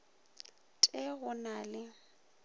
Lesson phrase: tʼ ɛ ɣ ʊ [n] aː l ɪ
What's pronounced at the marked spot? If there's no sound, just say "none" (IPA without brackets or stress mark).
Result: n